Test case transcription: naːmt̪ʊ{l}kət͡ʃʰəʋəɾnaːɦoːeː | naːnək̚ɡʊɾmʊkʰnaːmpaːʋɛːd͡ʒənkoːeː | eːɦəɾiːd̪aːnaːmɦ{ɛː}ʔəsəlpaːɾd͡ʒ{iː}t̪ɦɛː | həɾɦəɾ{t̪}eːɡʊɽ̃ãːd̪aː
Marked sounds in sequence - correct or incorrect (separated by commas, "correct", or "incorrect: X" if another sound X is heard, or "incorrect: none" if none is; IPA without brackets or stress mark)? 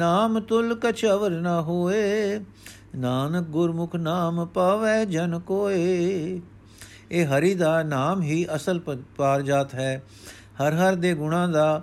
correct, incorrect: iː, incorrect: aː, incorrect: d̪